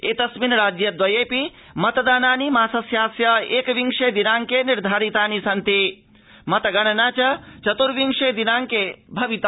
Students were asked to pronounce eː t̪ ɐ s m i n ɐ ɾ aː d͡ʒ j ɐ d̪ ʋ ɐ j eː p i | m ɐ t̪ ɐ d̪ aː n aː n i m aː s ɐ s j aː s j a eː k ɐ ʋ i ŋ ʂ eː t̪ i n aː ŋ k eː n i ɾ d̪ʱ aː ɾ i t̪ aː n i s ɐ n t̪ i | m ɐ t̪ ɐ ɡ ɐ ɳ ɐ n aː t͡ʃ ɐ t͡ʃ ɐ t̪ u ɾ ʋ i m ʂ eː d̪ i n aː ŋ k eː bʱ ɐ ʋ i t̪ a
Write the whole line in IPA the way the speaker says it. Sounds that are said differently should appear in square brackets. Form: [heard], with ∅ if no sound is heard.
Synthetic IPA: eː t̪ ɐ s m i n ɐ ɾ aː d͡ʒ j ɐ d̪ ʋ ɐ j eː p i | m ɐ t̪ ɐ d̪ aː n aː n i m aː s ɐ s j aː s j [ɐ] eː k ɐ ʋ i ŋ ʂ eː [d̪] i n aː ŋ k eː n i ɾ d̪ʱ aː ɾ i t̪ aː n i s ɐ n t̪ i | m ɐ t̪ ɐ ɡ ɐ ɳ ɐ n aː t͡ʃ ɐ t͡ʃ ɐ t̪ u ɾ ʋ i [ŋ] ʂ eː d̪ i n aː ŋ k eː bʱ ɐ ʋ i t̪ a